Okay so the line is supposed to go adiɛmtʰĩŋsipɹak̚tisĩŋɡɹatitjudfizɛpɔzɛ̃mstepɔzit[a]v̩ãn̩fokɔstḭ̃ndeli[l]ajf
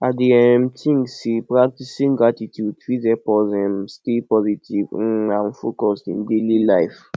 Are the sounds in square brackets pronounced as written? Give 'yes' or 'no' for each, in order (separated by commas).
no, yes